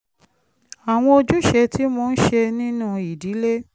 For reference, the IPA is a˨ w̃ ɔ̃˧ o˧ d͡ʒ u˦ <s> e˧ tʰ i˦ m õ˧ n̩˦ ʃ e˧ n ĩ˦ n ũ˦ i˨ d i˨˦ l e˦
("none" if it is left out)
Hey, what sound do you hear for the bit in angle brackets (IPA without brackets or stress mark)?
ʃ